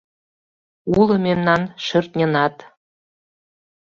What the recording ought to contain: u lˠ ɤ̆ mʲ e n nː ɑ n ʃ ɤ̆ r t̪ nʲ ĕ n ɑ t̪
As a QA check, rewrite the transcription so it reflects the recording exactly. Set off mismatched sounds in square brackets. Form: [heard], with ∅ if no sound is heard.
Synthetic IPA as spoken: u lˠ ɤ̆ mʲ e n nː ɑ n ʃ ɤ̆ r t̪ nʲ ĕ n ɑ t̪